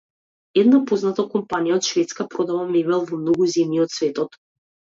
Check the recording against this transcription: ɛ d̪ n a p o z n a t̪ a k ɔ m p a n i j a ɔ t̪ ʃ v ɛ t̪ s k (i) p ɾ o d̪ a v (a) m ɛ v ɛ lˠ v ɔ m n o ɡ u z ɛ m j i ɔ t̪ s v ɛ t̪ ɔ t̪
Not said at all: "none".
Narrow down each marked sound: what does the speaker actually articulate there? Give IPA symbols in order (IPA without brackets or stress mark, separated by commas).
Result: a, a